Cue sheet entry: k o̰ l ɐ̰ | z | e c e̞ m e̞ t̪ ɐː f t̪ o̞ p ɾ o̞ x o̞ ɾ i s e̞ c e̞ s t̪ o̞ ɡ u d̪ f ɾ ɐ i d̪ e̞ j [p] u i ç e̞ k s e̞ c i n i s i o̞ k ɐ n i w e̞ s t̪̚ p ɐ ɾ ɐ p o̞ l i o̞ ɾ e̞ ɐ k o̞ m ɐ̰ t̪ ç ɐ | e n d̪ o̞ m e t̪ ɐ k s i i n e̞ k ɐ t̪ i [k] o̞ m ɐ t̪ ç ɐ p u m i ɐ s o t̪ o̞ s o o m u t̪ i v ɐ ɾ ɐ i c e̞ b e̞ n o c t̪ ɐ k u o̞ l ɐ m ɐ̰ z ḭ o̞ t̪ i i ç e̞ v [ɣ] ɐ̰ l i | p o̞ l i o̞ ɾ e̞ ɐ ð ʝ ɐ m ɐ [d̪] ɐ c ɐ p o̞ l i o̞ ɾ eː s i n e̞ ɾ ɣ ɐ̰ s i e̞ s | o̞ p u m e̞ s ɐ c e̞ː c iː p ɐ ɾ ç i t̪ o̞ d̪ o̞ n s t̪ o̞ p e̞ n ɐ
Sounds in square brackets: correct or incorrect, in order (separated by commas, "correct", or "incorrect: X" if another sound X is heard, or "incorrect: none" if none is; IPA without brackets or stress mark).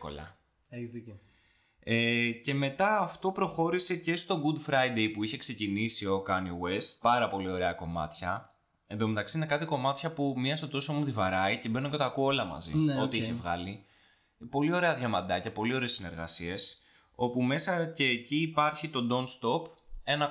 correct, correct, correct, correct